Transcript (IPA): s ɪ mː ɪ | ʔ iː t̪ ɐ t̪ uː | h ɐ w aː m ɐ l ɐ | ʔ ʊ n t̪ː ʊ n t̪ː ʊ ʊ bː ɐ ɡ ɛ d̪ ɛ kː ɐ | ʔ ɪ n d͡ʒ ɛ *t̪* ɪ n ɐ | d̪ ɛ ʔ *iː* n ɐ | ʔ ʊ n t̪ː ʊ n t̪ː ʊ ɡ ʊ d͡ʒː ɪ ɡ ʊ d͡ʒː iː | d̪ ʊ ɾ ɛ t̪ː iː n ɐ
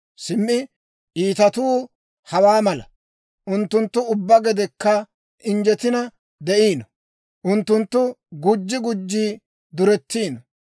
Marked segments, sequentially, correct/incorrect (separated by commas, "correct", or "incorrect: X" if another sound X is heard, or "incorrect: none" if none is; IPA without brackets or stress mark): correct, correct